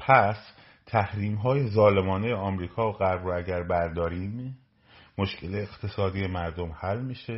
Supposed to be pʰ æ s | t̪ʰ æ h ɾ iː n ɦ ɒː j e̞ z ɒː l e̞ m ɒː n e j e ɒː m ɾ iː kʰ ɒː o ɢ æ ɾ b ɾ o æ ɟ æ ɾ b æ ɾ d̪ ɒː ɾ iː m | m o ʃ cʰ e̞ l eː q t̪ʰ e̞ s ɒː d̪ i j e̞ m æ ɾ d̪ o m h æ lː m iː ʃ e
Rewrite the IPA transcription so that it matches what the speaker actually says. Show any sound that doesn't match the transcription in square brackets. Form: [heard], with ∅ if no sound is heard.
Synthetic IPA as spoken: pʰ æ s | t̪ʰ æ h ɾ iː [m] ɦ ɒː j e̞ z ɒː l e̞ m ɒː n e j e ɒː m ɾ iː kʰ ɒː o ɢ æ ɾ b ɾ o æ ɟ æ ɾ b æ ɾ d̪ ɒː ɾ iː m | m o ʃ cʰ e̞ l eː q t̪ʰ e̞ s ɒː d̪ i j e̞ m æ ɾ d̪ o m h æ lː m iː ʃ e